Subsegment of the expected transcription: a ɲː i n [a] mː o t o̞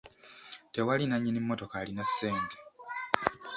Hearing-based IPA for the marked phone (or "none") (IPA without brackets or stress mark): i